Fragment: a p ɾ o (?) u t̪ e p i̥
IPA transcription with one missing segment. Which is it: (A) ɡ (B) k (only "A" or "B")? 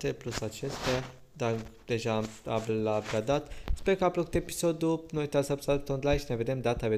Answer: B